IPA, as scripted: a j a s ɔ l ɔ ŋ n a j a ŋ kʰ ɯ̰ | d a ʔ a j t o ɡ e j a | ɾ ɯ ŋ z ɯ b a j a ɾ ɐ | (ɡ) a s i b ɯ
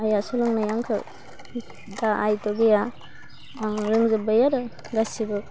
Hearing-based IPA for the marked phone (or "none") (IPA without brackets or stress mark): ɡ